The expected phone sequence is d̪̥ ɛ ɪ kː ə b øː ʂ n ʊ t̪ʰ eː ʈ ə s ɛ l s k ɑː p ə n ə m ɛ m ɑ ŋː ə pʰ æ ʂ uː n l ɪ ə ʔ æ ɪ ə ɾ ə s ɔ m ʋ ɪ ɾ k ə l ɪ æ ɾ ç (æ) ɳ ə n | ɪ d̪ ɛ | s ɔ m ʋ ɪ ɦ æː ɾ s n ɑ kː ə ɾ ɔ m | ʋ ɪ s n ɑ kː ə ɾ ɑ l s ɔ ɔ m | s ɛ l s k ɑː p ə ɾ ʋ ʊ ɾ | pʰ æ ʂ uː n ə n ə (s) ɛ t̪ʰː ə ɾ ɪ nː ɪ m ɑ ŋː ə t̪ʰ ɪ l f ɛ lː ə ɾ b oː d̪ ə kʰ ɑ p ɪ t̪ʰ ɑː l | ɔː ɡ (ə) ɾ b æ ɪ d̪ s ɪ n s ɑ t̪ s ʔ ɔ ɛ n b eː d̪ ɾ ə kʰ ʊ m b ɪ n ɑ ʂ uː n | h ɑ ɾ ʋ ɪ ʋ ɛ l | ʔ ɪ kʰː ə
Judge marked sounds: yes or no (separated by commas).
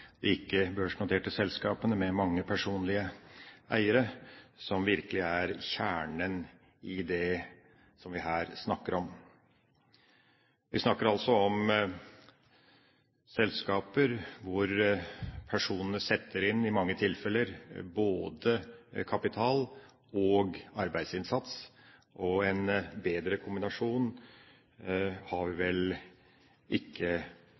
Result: no, yes, no